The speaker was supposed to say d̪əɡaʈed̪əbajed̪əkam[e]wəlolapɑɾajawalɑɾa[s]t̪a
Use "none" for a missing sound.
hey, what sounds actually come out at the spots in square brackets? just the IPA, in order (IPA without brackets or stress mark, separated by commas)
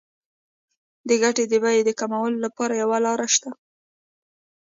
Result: a, ʃ